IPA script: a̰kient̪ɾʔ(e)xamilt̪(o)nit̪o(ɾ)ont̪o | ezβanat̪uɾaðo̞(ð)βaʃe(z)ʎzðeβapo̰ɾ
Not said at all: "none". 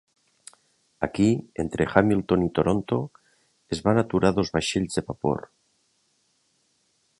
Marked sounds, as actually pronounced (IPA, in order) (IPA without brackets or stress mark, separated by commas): e, o, ɾ, z, none